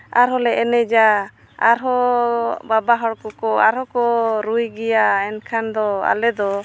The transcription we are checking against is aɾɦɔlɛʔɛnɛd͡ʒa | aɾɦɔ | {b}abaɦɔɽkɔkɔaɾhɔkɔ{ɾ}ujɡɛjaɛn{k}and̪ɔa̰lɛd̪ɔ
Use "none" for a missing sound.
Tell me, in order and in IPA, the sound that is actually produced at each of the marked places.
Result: b, ɾ, kʰ

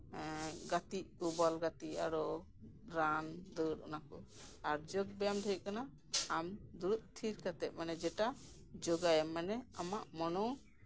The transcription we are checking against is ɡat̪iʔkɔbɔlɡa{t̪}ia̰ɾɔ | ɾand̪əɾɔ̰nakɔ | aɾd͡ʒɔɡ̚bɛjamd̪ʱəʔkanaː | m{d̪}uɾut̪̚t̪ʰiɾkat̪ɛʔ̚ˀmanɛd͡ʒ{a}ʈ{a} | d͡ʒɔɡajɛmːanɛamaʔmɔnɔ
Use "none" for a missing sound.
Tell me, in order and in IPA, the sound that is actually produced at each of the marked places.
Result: t̪, d̪, ɛ, a

